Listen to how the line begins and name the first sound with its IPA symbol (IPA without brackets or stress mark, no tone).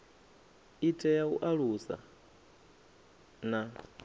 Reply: i